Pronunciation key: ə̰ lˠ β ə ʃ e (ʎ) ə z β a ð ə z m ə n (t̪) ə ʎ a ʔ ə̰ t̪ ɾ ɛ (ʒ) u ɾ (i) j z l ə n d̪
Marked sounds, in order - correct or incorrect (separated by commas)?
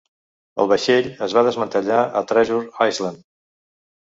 correct, correct, correct, incorrect